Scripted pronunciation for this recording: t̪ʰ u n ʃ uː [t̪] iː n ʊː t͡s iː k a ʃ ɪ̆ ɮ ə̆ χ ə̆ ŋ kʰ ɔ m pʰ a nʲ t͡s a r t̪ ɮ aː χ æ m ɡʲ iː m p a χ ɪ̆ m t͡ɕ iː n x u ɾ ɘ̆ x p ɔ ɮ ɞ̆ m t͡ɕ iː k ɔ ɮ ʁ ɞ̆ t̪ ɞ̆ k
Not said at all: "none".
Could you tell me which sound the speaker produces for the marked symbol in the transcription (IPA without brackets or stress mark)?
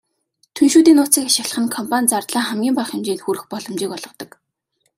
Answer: t̪